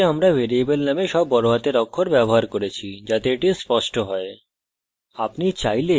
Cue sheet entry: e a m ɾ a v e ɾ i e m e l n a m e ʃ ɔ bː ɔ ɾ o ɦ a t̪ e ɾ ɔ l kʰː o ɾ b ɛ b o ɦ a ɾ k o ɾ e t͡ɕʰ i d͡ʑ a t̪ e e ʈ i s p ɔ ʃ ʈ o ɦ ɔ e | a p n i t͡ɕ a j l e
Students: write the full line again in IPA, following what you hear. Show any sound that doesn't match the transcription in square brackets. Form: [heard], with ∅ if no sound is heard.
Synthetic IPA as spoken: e a m ɾ a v e ɾ i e [b] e l n a m e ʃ ɔ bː ɔ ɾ o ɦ a t̪ e ɾ ɔ [∅] kʰː o ɾ b ɛ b o ɦ a ɾ k o ɾ e t͡ɕʰ i d͡ʑ a t̪ e e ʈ i s p ɔ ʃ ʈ o ɦ ɔ e | a p n i t͡ɕ a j l e